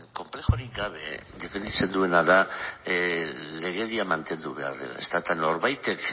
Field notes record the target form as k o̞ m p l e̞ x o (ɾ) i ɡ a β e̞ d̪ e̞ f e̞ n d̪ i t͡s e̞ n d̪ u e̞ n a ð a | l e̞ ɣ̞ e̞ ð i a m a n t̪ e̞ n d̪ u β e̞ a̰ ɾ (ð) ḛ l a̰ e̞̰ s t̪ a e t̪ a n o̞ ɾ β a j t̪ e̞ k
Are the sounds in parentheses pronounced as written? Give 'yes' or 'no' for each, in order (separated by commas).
yes, yes